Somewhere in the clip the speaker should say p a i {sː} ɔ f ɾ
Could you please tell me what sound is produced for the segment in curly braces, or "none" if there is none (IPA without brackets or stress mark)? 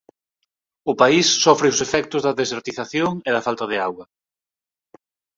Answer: sː